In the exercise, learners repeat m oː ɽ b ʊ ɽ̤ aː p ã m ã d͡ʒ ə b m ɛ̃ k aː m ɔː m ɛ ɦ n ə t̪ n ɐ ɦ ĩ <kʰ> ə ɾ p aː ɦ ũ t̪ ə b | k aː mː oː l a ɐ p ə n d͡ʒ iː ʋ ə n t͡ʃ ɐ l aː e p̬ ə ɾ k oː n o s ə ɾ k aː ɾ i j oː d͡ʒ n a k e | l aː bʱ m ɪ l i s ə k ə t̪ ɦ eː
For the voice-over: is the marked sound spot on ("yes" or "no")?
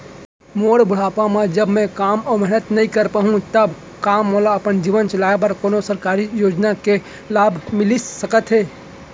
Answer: no